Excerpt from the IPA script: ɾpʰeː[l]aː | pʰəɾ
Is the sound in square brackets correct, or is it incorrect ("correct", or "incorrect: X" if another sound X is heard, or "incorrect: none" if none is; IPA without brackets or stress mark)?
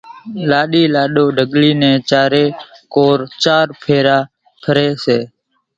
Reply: incorrect: ɾ